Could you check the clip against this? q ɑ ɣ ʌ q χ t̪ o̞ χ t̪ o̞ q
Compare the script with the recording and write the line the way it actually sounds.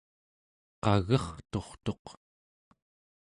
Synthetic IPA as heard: q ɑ ɣ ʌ χ t̪ o̞ χ t̪ o̞ q